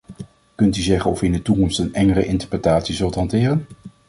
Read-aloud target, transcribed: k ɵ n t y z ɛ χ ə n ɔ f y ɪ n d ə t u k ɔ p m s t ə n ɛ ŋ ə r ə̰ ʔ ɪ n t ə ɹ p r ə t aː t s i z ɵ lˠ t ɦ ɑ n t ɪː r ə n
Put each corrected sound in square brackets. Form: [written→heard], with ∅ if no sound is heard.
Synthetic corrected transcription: k ɵ n t y z ɛ χ ə n ɔ f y ɪ n d ə t u k ɔ [p→∅] m s t ə n ɛ ŋ ə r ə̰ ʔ ɪ n t ə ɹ p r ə t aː t s i z ɵ lˠ t ɦ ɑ n t ɪː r ə n